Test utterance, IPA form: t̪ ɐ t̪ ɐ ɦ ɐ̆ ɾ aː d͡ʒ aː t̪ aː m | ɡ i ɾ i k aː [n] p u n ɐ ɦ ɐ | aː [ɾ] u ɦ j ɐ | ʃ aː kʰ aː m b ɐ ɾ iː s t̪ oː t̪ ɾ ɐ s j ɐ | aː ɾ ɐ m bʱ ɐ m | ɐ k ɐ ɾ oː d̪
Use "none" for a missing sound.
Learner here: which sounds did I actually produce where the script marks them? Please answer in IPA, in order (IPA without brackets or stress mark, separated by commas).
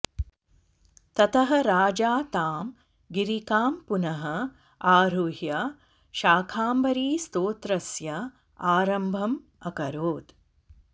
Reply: m, ɾ